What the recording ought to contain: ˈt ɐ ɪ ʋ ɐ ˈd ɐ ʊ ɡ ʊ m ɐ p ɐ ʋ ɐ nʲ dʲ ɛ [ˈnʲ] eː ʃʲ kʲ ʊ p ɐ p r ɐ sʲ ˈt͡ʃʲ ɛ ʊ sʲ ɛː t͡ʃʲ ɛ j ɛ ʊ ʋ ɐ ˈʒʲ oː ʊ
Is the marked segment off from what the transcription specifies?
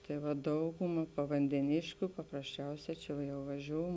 no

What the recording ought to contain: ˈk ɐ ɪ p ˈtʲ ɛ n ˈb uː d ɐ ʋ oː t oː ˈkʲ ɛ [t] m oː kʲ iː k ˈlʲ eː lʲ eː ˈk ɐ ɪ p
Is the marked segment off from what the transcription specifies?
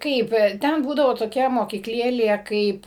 yes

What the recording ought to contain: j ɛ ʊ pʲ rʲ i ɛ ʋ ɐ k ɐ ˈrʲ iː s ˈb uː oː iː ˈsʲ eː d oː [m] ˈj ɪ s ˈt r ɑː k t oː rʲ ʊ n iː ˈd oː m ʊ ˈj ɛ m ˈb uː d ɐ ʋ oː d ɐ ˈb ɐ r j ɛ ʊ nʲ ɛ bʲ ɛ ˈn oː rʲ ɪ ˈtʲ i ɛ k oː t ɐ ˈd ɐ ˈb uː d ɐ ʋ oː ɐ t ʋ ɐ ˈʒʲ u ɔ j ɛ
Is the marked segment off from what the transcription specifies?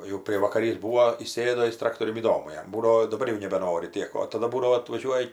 yes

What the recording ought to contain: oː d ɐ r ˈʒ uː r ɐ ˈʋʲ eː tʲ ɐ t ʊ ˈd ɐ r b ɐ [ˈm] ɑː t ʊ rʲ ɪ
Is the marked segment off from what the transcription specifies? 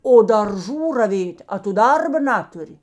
yes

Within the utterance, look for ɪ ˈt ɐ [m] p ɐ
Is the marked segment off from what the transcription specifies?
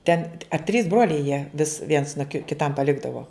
no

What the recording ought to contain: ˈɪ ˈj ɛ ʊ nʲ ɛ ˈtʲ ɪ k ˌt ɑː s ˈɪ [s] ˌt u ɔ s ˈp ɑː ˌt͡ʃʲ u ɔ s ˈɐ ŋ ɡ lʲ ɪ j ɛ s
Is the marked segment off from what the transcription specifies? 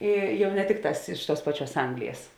yes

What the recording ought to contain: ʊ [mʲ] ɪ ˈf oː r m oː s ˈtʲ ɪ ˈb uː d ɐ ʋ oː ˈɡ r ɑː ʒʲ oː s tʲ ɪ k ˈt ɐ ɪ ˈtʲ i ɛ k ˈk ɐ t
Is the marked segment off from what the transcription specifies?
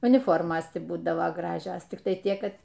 yes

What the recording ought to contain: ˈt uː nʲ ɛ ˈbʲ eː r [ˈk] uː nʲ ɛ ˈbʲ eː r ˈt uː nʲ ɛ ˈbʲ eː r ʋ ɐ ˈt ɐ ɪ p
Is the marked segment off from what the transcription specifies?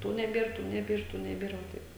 yes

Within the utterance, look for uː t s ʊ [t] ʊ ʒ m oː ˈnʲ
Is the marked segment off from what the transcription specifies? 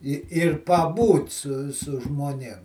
yes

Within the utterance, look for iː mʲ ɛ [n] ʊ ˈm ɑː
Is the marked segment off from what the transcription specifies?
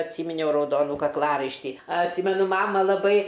no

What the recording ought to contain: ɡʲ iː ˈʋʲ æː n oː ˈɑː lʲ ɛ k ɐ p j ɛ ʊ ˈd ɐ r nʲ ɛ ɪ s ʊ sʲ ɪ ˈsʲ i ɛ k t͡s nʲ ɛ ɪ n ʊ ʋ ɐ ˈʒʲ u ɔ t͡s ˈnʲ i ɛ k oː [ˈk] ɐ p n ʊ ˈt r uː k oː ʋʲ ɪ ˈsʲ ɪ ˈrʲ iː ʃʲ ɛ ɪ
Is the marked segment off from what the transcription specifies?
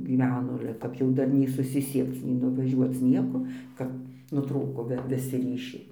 no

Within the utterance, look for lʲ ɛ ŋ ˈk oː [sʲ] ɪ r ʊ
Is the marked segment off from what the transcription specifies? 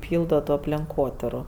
yes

